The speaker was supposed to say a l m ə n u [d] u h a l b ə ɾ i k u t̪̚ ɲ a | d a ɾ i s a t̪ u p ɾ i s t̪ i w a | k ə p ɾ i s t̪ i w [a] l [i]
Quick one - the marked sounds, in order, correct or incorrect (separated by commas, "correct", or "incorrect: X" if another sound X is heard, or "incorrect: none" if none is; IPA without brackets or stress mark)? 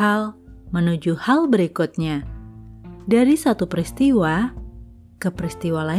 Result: incorrect: d͡ʒ, correct, incorrect: a